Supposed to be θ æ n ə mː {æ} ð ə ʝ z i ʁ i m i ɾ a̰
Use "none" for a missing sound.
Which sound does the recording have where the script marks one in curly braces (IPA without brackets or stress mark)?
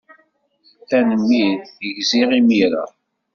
i